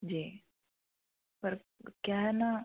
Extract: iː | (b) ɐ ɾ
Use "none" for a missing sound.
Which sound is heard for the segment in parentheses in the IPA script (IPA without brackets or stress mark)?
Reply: p